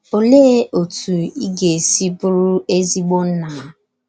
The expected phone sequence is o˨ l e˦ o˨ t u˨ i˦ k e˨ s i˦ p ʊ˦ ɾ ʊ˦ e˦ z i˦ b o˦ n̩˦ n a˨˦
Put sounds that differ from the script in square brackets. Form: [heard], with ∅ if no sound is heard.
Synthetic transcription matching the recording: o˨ l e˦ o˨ t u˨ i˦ [ɡ] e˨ s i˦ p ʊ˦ ɾ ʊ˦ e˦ z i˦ [ɡ͡b] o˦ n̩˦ n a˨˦